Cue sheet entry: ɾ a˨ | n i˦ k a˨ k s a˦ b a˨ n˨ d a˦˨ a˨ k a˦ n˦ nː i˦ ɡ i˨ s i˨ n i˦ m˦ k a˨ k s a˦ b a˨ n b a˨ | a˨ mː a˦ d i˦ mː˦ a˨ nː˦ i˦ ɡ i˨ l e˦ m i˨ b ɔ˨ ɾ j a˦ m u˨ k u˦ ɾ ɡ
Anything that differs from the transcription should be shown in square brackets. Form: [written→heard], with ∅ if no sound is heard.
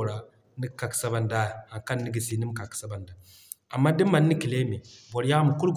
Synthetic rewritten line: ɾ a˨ | n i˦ k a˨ k s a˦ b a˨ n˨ d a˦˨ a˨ k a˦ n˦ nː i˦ ɡ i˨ s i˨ n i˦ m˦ k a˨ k s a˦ b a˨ n [b→d] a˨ | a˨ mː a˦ d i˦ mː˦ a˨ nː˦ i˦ [ɡ→k] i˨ l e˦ m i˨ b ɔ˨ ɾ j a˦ m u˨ k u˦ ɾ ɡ